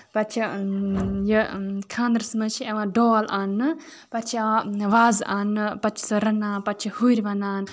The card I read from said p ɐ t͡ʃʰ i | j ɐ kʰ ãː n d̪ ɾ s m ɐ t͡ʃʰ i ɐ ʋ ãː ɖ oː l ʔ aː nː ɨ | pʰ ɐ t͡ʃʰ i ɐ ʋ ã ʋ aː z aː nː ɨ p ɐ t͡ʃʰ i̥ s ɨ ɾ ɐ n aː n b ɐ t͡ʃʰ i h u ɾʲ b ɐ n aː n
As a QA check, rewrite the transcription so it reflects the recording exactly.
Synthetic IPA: p ɐ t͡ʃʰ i | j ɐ kʰ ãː n d̪ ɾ s m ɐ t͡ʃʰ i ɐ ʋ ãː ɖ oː l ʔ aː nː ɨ | p ɐ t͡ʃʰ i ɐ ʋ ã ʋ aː z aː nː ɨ p ɐ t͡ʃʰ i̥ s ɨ ɾ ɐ n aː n p ɐ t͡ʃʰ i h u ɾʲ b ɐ n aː n